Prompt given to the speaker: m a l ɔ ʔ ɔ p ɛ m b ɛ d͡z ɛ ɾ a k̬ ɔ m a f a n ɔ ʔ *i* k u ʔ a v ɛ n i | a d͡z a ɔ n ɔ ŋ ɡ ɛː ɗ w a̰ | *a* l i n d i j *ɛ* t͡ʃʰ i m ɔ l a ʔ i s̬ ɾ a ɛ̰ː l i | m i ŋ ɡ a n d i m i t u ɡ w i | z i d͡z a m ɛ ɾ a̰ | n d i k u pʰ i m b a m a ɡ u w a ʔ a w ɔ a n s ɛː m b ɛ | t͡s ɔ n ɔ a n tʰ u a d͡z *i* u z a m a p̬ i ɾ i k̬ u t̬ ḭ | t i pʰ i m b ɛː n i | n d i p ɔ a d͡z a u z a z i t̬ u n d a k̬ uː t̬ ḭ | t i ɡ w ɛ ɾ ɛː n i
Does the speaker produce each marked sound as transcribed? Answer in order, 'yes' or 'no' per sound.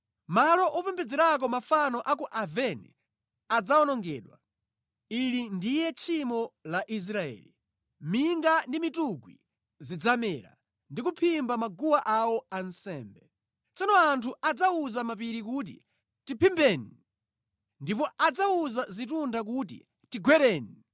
no, no, yes, no

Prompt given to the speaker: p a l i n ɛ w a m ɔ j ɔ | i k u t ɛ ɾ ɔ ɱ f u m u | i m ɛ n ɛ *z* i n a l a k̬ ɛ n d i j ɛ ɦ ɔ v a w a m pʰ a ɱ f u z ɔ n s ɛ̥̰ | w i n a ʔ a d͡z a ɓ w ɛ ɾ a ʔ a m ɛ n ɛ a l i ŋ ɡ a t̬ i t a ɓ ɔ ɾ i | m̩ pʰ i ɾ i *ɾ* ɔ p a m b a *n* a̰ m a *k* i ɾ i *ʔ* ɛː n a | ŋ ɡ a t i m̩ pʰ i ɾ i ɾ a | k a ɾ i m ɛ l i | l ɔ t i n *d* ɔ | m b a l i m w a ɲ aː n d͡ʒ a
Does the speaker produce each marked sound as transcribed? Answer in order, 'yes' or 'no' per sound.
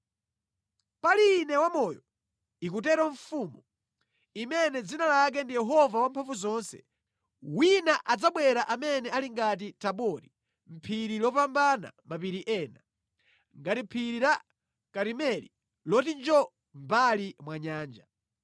no, no, yes, no, yes, no

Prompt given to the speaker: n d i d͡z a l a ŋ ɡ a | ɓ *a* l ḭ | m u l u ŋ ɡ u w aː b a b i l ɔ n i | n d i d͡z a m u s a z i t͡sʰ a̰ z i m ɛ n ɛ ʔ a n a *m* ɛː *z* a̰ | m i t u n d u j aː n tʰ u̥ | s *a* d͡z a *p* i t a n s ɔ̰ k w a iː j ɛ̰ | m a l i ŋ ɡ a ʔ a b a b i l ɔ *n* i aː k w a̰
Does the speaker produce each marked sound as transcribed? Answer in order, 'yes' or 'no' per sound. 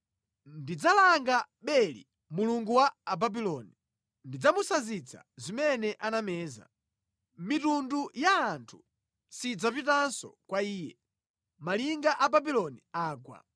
no, yes, yes, no, yes, yes

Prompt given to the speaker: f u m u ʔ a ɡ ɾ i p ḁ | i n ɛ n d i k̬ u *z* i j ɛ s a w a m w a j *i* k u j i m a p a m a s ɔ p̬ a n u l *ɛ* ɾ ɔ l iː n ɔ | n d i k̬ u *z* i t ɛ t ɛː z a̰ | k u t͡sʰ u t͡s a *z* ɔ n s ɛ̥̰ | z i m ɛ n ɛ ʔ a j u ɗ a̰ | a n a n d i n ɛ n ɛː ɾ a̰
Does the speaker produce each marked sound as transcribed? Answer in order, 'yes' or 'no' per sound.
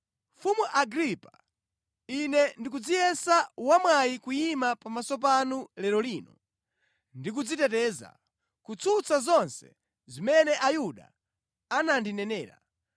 no, yes, yes, no, yes

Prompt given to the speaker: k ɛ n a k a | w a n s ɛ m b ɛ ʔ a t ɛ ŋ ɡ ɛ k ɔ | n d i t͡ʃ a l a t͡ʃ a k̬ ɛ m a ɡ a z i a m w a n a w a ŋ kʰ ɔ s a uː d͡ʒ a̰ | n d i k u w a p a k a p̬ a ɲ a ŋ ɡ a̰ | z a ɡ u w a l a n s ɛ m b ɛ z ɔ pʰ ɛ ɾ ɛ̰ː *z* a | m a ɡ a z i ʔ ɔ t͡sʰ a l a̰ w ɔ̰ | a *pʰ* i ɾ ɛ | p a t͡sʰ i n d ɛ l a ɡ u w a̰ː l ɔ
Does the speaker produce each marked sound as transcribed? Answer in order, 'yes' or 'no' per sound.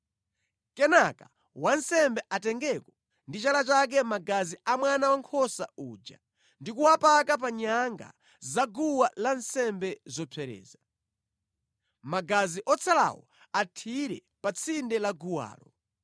yes, no

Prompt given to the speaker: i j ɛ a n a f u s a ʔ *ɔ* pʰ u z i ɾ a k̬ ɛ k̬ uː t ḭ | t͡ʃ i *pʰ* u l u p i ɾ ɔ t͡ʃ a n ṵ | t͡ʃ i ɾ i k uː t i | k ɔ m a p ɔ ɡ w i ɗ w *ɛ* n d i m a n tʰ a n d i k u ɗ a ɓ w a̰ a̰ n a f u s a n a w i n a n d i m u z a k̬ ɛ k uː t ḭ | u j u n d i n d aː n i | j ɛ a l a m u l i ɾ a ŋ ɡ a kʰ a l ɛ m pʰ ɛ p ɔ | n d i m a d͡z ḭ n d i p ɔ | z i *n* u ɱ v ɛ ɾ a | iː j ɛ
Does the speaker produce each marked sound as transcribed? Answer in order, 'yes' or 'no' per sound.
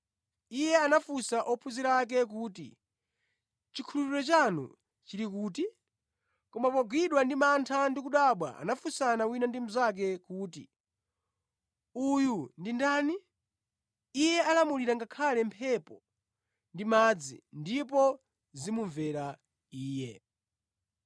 yes, no, no, no

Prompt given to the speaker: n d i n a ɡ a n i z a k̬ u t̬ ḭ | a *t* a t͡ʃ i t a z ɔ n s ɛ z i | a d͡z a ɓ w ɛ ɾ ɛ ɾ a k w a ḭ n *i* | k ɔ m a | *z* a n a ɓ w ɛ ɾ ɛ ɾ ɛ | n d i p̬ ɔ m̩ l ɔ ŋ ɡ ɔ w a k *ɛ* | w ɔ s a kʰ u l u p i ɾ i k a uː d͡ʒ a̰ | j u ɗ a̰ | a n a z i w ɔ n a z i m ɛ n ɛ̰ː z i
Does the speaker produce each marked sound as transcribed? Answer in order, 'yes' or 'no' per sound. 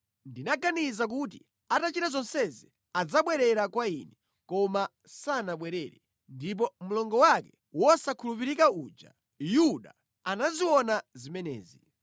yes, no, no, yes

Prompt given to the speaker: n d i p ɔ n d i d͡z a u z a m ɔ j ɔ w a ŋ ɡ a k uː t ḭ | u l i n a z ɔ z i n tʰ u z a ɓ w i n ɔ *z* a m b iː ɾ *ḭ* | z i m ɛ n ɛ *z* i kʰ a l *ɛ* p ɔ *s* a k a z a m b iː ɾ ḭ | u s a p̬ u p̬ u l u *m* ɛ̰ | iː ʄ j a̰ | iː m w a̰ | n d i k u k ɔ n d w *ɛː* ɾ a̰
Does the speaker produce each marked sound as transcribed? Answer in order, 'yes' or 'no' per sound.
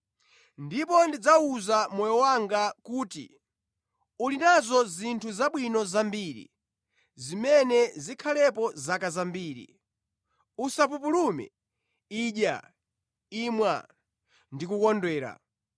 yes, yes, yes, yes, no, yes, yes

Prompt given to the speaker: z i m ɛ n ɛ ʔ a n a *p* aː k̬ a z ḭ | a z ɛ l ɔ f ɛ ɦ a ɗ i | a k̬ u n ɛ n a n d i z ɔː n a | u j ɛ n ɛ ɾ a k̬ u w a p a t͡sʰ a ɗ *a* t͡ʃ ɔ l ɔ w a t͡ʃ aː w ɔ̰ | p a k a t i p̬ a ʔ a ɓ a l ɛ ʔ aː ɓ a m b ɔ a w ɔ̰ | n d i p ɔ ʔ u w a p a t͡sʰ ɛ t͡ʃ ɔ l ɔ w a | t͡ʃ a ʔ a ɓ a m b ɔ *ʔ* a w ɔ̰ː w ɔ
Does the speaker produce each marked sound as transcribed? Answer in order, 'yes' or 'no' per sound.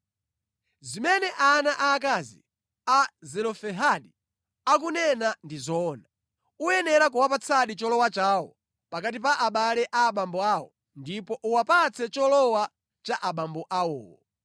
no, no, yes

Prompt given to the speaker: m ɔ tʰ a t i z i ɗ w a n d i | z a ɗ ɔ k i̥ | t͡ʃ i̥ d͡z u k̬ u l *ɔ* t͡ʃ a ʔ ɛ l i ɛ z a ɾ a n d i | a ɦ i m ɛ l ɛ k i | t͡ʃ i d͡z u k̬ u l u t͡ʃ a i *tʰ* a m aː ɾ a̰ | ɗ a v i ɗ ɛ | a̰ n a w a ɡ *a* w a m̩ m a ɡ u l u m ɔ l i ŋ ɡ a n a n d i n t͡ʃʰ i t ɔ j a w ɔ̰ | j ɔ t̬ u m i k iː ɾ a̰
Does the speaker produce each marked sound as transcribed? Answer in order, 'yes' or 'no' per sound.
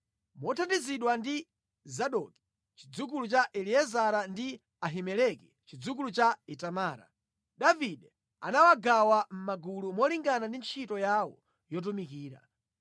no, no, yes

